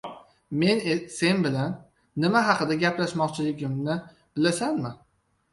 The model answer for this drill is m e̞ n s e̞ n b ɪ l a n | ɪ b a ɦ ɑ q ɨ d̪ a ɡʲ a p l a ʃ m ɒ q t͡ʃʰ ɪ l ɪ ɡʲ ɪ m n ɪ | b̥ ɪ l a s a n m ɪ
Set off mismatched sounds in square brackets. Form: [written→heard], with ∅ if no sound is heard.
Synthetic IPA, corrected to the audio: m e̞ n s e̞ n b ɪ l a [n→nː] | ɪ [b→m] a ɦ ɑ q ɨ d̪ a ɡʲ a p l a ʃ m ɒ q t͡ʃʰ ɪ l ɪ ɡʲ ɪ m n ɪ | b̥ ɪ l a s a n m ɪ